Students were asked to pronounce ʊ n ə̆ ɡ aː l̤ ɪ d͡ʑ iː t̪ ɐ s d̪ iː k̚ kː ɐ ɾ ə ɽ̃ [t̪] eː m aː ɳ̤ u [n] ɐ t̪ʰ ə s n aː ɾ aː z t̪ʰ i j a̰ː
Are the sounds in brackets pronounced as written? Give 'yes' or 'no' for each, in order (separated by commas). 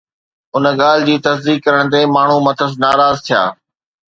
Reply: yes, no